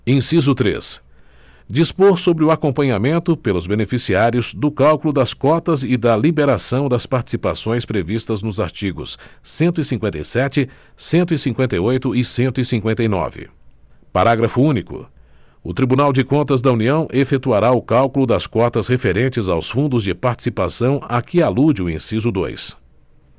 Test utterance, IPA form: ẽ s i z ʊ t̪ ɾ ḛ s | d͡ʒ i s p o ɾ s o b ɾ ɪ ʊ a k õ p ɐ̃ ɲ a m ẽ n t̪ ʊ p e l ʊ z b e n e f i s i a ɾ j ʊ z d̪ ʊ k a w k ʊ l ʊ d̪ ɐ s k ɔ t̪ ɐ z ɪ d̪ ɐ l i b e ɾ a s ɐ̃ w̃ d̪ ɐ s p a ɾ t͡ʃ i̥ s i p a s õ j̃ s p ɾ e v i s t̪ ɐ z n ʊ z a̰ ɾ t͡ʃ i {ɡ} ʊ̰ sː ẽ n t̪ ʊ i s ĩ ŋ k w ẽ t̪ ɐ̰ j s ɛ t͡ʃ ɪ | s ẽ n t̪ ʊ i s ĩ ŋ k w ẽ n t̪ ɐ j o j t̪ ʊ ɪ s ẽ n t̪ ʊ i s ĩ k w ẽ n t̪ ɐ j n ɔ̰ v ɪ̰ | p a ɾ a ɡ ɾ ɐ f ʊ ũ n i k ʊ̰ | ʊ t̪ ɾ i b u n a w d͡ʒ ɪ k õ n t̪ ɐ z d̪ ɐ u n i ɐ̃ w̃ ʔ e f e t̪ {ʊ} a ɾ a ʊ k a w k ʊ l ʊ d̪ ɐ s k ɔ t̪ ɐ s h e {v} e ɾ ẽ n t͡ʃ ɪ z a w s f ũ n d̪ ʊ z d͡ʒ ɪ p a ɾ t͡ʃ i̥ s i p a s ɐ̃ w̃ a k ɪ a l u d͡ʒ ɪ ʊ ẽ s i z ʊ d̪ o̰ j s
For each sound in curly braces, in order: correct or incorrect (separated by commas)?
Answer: correct, incorrect, incorrect